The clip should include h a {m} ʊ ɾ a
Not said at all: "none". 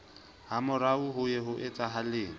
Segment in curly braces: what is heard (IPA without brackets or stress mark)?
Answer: m